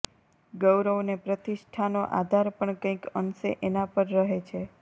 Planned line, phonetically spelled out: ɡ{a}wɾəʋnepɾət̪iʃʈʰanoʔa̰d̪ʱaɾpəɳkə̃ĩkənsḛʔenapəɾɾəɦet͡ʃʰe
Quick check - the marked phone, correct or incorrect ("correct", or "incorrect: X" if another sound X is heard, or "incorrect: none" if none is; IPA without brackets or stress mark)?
incorrect: ə